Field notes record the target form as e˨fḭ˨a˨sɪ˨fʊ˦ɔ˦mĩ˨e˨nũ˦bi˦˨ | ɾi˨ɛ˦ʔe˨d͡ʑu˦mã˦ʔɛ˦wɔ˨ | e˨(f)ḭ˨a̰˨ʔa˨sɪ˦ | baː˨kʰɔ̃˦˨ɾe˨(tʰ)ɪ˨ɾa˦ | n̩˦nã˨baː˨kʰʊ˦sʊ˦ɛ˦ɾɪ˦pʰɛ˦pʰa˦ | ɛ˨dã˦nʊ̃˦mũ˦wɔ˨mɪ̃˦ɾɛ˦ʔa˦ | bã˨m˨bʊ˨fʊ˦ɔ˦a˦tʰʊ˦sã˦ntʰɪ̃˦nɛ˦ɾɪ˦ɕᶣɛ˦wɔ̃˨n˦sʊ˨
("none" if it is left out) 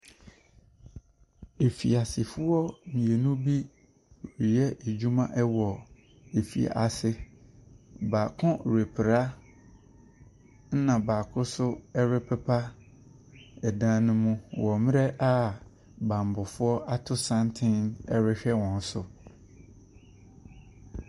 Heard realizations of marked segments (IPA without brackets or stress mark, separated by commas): f, pʰ